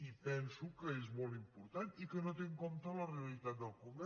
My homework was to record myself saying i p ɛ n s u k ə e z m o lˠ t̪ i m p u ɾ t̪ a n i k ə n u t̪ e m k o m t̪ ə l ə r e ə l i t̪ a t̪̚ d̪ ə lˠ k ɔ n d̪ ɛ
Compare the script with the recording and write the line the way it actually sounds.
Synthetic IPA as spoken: i p ɛ n s u k ə e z m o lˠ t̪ i m p u ɾ t̪ a n i k ə n o t̪ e ŋ k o m t̪ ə l ə r e ə l i t̪ a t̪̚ d̪ ə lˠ k u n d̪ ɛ